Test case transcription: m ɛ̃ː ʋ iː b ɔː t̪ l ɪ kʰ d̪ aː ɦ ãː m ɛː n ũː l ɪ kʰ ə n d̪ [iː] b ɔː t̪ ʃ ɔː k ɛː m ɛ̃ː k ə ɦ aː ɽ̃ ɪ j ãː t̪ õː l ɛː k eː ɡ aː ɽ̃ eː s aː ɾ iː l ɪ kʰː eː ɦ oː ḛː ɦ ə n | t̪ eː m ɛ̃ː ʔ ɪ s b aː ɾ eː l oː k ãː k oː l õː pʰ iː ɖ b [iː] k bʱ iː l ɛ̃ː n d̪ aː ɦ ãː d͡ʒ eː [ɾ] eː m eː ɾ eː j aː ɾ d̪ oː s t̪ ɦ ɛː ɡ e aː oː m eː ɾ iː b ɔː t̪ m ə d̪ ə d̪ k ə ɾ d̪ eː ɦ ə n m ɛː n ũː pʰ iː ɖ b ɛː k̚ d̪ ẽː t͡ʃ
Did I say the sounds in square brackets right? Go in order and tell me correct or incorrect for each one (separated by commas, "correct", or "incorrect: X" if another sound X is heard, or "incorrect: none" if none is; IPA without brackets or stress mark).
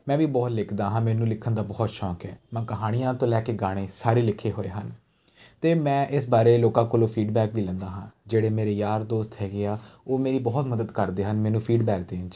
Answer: incorrect: aː, incorrect: ɛː, incorrect: ɽ